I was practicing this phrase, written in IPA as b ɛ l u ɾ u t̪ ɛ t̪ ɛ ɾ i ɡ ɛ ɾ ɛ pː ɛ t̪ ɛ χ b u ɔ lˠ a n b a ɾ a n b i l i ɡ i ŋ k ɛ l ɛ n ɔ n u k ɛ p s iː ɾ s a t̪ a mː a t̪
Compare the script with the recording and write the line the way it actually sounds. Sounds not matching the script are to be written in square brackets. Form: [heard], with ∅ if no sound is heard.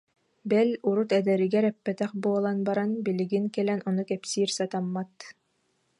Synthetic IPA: b ɛ l u ɾ u t̪ ɛ [d̪] ɛ ɾ i ɡ ɛ ɾ ɛ pː ɛ t̪ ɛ χ b u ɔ lˠ a n b a ɾ a n b i l i ɡ i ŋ k ɛ l ɛ n ɔ n u k ɛ p s iː ɾ s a t̪ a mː a t̪